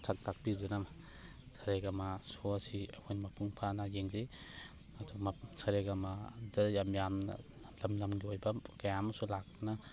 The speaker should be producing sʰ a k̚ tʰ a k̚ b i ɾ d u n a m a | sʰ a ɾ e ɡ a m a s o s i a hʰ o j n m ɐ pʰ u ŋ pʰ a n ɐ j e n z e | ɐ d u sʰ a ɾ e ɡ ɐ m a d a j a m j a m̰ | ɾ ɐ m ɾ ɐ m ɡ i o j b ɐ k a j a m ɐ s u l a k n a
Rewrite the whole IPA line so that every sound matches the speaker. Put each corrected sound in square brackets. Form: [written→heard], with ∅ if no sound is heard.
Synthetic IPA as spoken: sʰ a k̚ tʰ a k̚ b i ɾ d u n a m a | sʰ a ɾ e ɡ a m a s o s i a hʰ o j n m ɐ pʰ u ŋ pʰ a n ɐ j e [n→ŋ] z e | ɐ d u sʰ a ɾ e ɡ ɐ m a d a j a m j a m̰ | [ɾ→l] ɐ m [ɾ→l] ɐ m ɡ i o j b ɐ k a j a m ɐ s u l a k n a